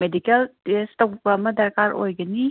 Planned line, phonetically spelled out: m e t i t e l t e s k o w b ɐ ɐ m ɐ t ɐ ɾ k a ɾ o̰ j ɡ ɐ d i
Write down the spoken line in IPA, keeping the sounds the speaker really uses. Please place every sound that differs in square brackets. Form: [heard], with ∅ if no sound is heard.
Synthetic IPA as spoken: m e [d] i [k] e l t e s [t] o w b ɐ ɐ m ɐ [d] ɐ ɾ k a ɾ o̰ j ɡ ɐ [n] i